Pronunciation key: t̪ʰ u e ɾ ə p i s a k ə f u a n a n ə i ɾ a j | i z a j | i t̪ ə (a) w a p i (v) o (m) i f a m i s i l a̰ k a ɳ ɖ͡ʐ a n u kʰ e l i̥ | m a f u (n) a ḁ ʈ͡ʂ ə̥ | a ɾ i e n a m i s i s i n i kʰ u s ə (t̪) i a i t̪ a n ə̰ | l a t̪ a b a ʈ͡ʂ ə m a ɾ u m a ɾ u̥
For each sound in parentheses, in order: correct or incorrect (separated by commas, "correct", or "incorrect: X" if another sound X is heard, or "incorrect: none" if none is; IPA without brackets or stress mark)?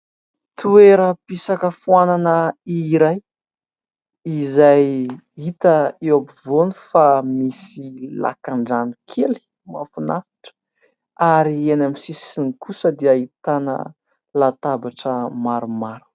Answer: incorrect: e, correct, incorrect: n, correct, incorrect: d̪